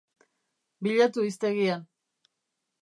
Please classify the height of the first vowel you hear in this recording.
high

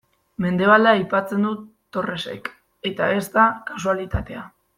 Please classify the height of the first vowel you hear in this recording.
mid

